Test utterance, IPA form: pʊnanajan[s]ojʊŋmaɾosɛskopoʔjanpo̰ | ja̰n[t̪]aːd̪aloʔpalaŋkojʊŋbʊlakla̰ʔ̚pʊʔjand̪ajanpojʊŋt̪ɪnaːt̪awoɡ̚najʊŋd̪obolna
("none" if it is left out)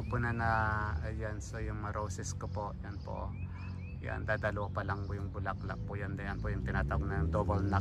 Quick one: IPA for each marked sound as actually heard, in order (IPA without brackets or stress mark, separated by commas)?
s, d̪